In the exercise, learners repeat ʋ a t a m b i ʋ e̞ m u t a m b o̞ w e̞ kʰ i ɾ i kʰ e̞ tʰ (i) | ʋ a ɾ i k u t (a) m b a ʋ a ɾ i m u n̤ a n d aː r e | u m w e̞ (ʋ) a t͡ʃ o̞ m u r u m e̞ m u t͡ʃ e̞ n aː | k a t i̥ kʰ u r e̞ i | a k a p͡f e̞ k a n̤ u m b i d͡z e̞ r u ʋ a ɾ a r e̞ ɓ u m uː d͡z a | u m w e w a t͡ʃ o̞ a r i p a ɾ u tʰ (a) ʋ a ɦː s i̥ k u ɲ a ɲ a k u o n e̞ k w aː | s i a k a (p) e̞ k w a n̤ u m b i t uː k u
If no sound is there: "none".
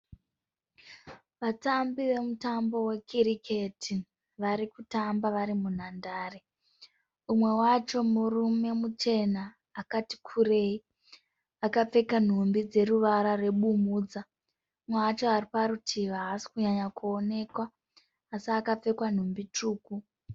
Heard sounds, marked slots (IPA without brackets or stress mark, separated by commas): i, a, w, i, p͡f